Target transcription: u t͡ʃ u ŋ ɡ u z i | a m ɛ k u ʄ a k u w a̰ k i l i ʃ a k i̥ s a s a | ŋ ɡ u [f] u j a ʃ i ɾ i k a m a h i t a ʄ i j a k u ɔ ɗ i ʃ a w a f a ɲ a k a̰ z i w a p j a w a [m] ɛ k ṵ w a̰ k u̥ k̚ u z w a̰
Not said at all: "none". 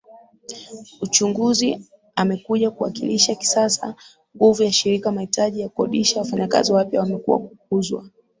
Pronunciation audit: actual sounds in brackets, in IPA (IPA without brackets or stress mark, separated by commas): v, m